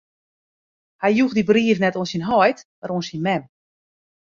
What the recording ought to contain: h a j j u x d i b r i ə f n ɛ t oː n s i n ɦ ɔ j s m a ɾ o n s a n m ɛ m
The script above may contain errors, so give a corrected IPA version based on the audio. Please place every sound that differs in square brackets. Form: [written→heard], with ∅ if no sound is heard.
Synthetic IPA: h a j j u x d i b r i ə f n ɛ t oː n s i n ɦ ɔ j [s→t] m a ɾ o n s [a→i] n m ɛ m